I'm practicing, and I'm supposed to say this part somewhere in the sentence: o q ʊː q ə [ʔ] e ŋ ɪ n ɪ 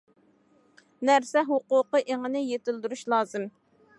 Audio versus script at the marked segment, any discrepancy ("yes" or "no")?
no